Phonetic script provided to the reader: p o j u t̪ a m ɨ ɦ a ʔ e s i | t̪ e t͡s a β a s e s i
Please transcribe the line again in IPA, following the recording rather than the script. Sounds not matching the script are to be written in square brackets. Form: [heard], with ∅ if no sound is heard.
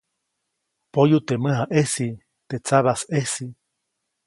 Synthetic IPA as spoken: p o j u t̪ [e] m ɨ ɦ a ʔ e s i | t̪ e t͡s a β a s e s i